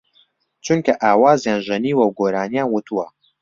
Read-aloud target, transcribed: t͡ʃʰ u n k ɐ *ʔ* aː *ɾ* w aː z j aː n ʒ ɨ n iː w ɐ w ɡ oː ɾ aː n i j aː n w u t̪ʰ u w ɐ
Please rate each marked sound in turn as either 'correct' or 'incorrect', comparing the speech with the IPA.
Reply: correct, incorrect

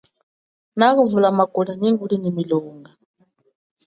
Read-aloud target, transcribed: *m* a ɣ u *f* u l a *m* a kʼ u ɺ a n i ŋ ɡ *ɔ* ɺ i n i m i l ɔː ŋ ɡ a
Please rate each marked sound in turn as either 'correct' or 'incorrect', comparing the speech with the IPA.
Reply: incorrect, incorrect, correct, incorrect

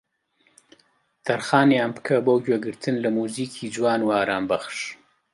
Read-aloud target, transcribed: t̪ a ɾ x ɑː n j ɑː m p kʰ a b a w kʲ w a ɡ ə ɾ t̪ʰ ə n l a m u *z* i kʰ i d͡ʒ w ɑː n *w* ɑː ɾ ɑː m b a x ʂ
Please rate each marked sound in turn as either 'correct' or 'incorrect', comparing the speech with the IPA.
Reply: correct, correct

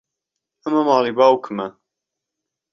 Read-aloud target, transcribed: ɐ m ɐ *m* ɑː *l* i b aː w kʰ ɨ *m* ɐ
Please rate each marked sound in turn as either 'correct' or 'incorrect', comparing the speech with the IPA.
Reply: correct, correct, correct

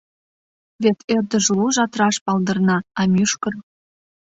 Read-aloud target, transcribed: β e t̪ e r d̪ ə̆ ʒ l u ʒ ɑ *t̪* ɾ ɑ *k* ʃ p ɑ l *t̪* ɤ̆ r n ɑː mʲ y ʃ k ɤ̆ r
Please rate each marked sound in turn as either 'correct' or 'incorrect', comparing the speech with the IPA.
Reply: correct, incorrect, incorrect

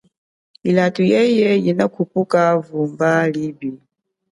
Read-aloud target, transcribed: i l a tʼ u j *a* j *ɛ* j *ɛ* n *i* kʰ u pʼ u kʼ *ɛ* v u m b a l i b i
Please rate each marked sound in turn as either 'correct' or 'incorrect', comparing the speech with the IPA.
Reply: incorrect, correct, incorrect, incorrect, incorrect

